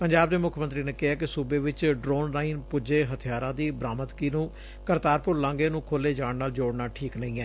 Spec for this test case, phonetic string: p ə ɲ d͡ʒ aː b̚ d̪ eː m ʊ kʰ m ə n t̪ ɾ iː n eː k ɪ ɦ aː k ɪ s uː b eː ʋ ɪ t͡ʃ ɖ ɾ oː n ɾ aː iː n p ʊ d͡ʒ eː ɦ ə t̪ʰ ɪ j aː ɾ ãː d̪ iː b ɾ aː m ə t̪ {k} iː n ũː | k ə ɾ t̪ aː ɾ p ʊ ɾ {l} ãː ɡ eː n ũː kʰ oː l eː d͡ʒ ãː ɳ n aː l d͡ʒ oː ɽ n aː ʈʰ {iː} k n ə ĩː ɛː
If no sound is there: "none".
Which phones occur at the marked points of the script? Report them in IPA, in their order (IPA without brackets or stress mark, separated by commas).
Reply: k, l, iː